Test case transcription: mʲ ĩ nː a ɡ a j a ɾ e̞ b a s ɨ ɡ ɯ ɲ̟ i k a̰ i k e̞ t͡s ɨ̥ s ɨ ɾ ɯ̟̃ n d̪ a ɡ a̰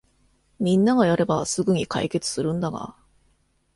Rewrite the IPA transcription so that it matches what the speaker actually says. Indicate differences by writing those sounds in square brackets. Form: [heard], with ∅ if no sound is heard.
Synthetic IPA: mʲ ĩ nː a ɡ a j a ɾ e̞ b a s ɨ ɡ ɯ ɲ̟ i k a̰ i k e̞ t͡s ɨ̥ s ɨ ɾ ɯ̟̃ n d̪ a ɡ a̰